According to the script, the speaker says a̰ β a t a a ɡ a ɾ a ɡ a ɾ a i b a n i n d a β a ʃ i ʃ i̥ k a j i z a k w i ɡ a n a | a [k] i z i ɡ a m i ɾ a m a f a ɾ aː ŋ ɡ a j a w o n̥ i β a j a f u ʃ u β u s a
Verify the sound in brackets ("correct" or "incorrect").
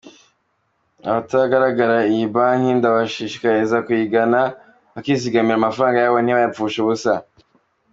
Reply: correct